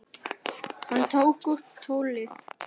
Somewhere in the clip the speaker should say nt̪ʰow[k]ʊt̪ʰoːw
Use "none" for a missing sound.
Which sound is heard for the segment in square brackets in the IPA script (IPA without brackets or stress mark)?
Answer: k